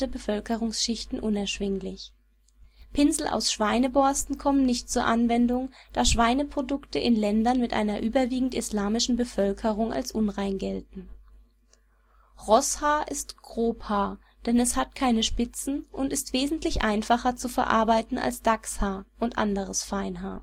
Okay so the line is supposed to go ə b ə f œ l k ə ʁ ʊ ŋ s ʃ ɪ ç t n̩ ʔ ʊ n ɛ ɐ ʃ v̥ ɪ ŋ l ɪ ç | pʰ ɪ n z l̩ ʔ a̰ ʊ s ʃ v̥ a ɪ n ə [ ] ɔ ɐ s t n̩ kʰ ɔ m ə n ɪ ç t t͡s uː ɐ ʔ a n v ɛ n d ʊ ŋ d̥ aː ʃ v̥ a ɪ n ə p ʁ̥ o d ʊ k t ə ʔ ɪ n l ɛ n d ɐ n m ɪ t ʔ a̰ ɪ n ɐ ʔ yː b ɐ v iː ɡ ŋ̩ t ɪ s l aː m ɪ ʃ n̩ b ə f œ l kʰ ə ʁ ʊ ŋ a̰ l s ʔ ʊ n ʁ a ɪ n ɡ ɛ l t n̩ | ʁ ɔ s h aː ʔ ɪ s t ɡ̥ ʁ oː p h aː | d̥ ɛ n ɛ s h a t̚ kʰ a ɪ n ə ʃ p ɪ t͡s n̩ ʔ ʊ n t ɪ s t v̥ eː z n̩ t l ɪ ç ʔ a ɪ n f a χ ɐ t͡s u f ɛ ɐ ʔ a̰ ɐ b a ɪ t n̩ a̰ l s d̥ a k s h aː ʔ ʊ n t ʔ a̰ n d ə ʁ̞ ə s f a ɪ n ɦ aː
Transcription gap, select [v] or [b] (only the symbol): b